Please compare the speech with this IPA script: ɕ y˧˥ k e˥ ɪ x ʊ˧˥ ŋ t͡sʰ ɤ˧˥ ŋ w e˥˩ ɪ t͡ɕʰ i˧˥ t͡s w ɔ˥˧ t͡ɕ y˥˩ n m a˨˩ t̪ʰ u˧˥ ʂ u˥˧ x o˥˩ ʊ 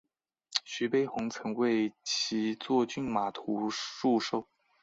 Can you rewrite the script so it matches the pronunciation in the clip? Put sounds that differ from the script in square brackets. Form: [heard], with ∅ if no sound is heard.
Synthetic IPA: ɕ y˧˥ [p] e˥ ɪ x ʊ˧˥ ŋ t͡sʰ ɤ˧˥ ŋ w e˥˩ ɪ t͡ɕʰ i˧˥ t͡s w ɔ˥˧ t͡ɕ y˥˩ n m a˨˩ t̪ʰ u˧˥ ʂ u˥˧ [ʂ] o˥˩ ʊ